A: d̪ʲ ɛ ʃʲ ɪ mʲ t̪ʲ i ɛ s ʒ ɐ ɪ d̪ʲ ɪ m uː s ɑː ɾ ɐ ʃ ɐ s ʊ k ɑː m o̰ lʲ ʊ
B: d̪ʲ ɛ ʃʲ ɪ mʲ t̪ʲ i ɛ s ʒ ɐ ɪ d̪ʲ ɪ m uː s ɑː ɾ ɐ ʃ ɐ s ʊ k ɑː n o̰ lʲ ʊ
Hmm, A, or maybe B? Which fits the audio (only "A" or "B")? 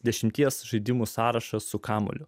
A